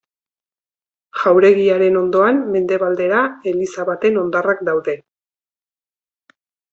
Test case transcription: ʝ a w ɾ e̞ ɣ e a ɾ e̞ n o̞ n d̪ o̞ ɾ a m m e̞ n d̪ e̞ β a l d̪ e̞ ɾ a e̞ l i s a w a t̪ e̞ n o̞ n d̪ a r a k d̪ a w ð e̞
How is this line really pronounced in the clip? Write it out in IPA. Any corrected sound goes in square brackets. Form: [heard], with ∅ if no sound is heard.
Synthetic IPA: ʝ a w ɾ e̞ ɣ [i] a ɾ e̞ n o̞ n d̪ o̞ [∅] a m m e̞ n d̪ e̞ β a l d̪ e̞ ɾ a e̞ l i s a [β] a t̪ e̞ n o̞ n d̪ a r a k d̪ a w ð e̞